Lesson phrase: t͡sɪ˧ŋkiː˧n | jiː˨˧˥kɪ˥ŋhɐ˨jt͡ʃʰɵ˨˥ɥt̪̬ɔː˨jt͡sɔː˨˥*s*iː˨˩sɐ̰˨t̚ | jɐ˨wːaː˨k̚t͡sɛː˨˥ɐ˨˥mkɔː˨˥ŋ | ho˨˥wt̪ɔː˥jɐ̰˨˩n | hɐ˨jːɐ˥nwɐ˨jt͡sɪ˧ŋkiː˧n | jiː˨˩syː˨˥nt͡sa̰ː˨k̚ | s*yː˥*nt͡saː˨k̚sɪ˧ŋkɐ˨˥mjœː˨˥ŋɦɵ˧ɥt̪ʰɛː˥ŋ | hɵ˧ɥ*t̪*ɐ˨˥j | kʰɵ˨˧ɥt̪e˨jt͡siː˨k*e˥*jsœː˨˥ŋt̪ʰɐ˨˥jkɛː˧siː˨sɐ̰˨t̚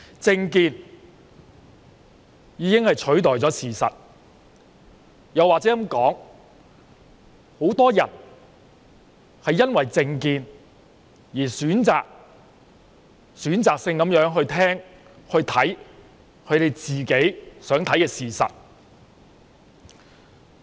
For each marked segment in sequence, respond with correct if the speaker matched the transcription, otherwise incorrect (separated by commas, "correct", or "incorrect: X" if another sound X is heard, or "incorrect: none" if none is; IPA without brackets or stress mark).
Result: correct, incorrect: yː˨˥, incorrect: t̪ʰ, incorrect: e˨˥